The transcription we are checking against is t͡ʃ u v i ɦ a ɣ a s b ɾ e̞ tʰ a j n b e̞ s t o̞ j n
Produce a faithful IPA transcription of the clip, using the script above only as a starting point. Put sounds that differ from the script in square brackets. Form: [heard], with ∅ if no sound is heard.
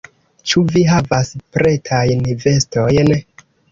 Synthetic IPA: t͡ʃ u v i ɦ a [v] a s [p] ɾ e̞ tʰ a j n [v] e̞ s t o̞ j n